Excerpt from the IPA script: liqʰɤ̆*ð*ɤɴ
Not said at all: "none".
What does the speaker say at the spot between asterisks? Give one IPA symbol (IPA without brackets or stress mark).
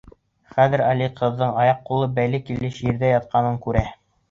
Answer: ðː